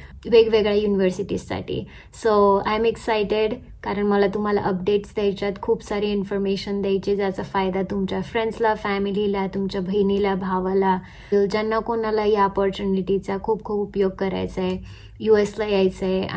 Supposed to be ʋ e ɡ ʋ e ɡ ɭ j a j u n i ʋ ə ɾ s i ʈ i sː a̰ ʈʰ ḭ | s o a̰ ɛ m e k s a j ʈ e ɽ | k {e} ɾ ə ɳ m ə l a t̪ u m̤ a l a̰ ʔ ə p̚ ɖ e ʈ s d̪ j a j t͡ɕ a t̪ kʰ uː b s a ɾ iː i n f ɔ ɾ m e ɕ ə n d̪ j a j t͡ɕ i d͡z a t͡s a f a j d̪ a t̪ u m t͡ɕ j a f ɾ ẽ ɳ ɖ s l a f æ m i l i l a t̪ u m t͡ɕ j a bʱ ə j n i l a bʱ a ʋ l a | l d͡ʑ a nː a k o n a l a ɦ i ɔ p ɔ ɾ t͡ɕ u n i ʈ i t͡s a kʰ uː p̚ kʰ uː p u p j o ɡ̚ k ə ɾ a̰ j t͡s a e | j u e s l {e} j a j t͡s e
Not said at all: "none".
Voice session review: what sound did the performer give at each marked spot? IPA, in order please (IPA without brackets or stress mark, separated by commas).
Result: a, a